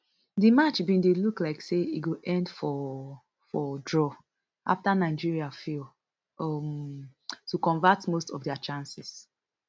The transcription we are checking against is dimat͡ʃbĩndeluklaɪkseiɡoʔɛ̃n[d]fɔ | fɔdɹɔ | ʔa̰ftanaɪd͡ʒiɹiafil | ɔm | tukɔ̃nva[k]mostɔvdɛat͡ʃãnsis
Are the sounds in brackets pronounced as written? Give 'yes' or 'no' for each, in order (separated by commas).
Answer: yes, no